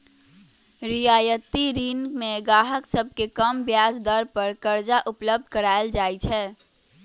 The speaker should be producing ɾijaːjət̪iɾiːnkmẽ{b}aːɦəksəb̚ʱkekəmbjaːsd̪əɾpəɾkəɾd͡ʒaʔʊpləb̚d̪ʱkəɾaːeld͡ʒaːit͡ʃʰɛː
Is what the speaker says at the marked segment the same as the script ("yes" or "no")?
no